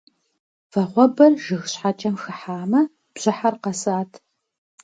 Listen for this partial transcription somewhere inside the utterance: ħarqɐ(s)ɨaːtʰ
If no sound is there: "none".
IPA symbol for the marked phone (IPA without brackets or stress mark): s